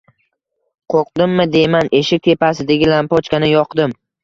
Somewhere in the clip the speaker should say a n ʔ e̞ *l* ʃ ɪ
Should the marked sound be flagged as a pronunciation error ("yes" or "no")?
yes